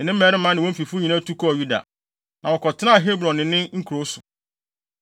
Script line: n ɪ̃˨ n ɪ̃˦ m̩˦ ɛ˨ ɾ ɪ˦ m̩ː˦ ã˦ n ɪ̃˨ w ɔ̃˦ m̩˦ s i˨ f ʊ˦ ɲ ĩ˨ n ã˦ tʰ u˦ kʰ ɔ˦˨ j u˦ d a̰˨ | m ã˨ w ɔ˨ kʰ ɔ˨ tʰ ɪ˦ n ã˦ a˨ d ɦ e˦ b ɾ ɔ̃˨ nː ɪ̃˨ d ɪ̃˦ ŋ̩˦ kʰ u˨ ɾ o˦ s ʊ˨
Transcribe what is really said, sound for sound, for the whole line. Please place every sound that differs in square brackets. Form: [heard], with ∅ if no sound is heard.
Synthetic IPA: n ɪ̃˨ n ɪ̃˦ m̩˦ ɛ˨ ɾ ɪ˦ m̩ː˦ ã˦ n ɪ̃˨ w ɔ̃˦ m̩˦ [f] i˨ f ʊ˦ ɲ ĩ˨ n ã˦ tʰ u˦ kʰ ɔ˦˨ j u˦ d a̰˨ | [n] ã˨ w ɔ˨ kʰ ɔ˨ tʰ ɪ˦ n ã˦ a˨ [∅] ɦ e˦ b ɾ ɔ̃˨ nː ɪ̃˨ [n] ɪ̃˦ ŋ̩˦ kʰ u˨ ɾ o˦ s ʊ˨